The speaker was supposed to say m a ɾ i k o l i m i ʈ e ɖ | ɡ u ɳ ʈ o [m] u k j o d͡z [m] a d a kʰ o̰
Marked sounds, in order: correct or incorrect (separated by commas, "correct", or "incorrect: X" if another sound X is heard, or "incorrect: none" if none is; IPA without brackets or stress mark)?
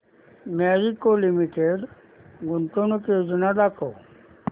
incorrect: n, incorrect: n